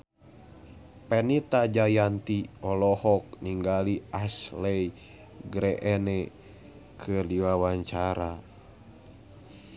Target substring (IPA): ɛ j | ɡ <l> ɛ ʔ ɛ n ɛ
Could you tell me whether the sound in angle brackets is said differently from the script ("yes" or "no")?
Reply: yes